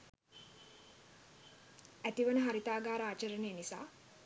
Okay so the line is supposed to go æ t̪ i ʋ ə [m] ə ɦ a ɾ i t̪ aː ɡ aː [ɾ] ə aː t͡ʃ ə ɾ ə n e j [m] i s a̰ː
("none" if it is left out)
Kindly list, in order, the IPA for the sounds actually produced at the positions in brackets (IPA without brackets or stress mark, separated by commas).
n, ɾ, n